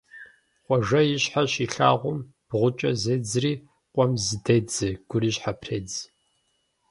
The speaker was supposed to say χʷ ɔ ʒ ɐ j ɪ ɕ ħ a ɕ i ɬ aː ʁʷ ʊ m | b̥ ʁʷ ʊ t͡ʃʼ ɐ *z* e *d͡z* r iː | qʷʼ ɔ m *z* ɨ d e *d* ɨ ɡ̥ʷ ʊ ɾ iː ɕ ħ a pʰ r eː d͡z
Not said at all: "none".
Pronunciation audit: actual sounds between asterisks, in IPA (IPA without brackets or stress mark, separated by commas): z, d͡z, z, d͡z